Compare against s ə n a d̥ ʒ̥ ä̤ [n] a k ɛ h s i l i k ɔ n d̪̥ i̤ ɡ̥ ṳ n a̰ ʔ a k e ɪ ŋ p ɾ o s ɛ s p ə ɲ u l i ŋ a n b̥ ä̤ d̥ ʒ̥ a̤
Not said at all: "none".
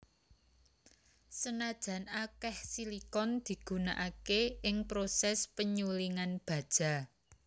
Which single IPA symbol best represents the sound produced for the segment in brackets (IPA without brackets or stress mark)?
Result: n